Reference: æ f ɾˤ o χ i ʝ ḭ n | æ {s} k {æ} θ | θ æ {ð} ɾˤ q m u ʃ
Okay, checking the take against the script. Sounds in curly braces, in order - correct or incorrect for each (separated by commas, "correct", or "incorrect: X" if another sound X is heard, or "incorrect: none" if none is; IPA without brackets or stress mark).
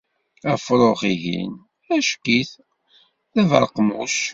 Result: incorrect: ʃ, incorrect: i, incorrect: v